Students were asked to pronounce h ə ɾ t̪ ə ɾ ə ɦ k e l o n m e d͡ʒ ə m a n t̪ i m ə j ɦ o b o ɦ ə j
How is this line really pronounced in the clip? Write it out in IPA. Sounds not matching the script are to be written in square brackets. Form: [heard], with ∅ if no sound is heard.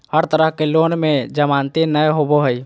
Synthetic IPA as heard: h ə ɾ t̪ ə ɾ ə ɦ k e l o n m e d͡ʒ ə m a n t̪ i [n] ə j ɦ o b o ɦ ə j